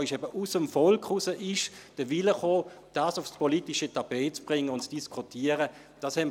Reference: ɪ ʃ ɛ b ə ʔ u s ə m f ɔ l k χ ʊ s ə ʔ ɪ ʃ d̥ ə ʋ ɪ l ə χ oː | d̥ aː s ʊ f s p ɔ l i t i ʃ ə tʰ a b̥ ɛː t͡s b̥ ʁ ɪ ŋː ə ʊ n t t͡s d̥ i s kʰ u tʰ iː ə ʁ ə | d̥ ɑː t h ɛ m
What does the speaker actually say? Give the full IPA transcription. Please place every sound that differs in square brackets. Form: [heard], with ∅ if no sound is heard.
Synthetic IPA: ɪ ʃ ɛ b ə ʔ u s ə m f ɔ l k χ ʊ s ə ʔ ɪ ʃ d̥ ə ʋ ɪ l ə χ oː | d̥ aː s ʊ f s p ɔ l i t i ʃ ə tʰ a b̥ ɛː t͡s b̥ ʁ ɪ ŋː ə ʊ n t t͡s d̥ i s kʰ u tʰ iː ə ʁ ə | d̥ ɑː [s] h ɛ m